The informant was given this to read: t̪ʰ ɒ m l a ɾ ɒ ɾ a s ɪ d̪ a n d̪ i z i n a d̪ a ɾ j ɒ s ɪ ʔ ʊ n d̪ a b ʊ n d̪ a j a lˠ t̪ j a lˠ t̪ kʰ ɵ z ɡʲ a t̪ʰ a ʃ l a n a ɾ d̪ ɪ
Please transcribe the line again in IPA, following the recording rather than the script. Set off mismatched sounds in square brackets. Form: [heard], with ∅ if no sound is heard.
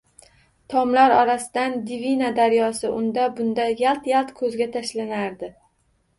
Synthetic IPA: t̪ʰ ɒ m l a ɾ ɒ ɾ a s ɪ d̪ a n d̪ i [v] i n a d̪ a ɾ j ɒ s ɪ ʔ ʊ n d̪ a b ʊ n d̪ a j a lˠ t̪ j a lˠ t̪ kʰ ɵ z ɡʲ a t̪ʰ a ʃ l a n a ɾ d̪ ɪ